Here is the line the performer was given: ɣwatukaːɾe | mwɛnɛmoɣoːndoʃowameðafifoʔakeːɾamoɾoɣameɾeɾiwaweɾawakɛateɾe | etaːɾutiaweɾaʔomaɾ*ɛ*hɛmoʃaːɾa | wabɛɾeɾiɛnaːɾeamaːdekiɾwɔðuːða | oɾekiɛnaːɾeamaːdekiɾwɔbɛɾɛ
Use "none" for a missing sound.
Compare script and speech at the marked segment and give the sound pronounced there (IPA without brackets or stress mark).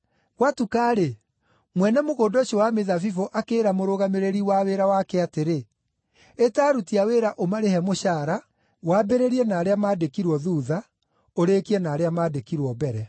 e